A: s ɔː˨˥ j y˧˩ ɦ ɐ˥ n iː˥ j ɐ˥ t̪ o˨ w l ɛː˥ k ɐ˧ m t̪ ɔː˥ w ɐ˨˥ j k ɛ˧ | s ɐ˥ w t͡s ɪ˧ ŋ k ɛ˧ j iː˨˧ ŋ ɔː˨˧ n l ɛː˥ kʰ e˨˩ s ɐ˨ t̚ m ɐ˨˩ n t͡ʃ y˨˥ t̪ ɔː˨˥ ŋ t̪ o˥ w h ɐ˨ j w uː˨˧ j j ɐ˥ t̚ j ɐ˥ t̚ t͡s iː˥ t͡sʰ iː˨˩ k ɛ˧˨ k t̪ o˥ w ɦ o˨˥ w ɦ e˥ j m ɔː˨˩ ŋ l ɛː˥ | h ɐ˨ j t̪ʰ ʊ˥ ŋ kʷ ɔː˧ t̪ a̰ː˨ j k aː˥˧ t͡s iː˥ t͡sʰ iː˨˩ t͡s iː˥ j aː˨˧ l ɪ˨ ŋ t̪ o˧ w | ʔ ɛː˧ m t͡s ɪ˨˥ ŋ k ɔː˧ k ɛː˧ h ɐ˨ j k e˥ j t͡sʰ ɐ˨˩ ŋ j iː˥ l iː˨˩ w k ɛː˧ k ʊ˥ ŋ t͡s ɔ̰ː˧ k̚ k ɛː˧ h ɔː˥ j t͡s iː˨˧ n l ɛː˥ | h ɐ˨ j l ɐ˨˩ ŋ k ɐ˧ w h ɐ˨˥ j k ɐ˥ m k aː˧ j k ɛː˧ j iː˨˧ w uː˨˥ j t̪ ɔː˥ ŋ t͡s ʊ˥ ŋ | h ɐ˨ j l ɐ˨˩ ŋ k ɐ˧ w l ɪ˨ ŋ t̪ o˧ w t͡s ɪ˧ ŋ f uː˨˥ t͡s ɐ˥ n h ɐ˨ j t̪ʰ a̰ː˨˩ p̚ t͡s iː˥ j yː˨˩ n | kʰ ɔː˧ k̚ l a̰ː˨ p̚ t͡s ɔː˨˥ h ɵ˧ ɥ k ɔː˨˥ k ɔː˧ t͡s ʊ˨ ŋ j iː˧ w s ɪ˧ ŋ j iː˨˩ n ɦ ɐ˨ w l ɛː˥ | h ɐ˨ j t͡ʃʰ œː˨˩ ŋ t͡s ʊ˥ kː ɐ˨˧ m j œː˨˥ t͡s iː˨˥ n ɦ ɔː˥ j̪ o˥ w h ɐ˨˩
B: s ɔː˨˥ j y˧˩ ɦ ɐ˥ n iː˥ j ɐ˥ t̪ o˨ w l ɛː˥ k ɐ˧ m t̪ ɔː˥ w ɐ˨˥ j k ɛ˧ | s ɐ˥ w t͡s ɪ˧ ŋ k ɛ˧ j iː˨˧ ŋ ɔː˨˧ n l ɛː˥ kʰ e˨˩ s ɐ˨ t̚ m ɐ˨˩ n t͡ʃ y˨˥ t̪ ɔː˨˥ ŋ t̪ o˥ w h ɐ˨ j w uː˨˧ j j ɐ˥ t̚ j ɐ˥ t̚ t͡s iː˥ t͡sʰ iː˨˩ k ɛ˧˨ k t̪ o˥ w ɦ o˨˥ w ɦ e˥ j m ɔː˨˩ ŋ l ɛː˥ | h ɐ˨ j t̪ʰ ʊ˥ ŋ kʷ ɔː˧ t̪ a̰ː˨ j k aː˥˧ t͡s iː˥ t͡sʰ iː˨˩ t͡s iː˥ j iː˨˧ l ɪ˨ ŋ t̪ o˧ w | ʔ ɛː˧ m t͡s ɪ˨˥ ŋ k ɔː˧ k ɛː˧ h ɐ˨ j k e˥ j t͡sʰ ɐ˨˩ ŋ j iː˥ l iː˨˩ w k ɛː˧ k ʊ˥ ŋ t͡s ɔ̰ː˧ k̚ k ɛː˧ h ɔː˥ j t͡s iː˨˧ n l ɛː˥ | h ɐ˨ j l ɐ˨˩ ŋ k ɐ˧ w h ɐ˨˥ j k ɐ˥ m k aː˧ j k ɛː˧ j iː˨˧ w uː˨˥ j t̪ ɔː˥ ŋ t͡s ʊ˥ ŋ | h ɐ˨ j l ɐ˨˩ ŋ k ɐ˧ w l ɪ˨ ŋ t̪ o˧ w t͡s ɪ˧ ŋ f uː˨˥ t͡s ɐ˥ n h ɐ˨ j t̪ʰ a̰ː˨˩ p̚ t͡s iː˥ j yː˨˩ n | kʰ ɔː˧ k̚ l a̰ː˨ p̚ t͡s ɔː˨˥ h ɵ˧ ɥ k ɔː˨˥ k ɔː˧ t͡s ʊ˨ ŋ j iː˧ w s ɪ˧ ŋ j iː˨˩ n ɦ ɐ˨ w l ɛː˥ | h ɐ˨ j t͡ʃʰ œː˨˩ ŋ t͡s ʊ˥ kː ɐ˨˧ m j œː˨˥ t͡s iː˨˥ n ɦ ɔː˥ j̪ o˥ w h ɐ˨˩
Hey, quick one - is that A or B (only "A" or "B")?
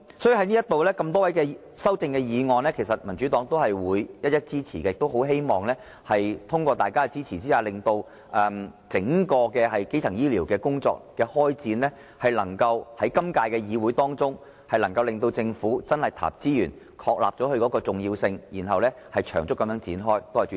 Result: A